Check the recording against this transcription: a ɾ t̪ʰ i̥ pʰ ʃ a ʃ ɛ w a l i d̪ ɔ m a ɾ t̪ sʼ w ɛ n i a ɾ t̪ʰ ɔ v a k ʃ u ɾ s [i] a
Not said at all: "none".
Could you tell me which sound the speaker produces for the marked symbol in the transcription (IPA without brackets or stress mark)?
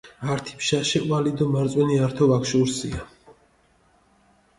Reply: i